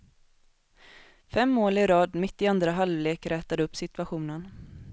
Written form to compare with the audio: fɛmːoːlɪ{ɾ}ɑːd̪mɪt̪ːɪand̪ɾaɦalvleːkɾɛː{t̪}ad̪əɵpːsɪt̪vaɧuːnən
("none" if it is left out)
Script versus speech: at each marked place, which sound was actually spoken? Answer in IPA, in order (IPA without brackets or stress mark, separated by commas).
ɾ, t̪